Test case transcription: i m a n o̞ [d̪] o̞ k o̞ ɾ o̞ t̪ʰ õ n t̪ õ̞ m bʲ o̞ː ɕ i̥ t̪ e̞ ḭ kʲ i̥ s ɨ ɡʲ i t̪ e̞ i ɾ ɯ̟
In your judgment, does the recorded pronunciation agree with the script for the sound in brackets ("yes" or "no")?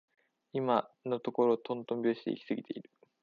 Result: no